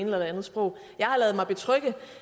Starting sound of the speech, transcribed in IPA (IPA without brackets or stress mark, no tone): n